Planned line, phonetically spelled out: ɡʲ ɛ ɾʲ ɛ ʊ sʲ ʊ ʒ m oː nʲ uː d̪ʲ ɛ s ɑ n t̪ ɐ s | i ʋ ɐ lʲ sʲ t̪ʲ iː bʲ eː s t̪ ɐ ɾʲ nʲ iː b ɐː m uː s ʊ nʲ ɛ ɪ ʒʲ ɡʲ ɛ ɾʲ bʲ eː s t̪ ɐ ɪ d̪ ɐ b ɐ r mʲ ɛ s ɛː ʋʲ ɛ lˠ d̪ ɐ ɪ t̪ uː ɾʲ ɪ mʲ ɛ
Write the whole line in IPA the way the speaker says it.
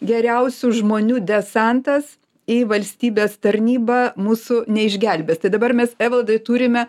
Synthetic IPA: ɡʲ ɛ ɾʲ ɛ ʊ sʲ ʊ ʒ m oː nʲ uː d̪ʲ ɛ s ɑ n t̪ ɐ s | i ʋ ɐ lʲ sʲ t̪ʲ iː bʲ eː s t̪ ɐ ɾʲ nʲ iː b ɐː m uː s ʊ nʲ ɛ ɪ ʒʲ ɡʲ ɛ lʲ bʲ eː s t̪ ɐ ɪ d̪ ɐ b ɐ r mʲ ɛ s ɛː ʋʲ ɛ lˠ d̪ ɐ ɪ t̪ uː ɾʲ ɪ mʲ ɛ